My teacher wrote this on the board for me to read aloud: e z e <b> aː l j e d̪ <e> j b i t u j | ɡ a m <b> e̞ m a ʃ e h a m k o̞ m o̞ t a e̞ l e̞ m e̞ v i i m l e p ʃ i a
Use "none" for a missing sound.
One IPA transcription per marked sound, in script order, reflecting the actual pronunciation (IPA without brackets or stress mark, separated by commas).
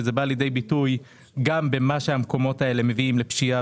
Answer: b, e, b